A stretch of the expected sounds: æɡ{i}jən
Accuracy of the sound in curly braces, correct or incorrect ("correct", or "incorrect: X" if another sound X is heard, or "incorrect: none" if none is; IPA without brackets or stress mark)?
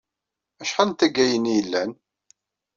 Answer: incorrect: æ